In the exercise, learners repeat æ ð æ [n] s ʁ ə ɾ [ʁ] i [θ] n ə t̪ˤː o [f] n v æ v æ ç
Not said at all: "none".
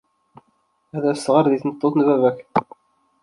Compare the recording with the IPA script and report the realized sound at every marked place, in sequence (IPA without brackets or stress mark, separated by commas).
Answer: none, ð, θ, θ